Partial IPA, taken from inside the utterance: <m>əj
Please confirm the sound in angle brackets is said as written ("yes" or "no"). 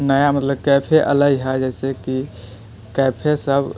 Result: no